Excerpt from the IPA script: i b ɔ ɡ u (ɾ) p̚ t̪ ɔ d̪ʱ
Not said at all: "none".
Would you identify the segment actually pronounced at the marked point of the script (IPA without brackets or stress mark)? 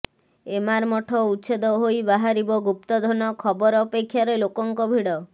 none